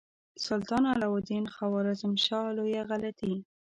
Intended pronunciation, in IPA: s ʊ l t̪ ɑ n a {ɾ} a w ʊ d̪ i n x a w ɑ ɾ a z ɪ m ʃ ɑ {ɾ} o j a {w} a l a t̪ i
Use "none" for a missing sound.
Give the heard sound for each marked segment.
l, l, ɣ

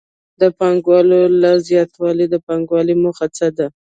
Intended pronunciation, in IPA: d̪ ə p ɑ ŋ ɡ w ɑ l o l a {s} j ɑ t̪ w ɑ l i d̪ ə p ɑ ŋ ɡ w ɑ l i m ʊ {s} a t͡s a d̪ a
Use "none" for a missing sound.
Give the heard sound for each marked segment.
z, x

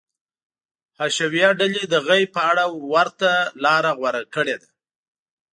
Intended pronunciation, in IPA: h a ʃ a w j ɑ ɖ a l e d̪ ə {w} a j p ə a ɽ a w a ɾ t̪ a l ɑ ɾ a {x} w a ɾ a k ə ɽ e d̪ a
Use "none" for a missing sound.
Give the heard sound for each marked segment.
ɣ, ɣ

